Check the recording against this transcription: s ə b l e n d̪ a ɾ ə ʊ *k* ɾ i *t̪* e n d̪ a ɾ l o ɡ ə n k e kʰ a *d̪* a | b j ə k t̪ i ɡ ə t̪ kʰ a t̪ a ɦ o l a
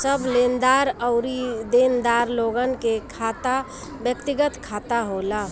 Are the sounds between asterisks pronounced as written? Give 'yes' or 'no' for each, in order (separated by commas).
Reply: no, no, no